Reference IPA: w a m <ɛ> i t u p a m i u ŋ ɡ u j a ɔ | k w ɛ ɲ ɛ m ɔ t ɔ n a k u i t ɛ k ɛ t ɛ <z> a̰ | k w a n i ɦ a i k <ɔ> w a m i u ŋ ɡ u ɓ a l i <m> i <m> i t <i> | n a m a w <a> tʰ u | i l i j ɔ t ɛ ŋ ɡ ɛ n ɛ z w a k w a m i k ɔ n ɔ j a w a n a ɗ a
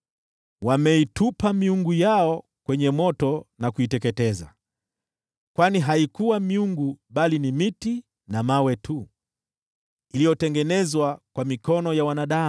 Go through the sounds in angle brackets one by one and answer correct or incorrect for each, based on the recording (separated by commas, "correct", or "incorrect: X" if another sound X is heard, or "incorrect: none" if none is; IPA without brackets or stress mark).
correct, correct, incorrect: u, incorrect: n, correct, correct, incorrect: ɛ